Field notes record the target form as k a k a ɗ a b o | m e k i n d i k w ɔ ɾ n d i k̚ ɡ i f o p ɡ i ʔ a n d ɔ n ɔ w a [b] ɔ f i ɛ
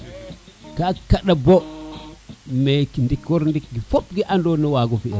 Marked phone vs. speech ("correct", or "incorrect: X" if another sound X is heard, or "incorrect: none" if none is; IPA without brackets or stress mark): incorrect: ɡ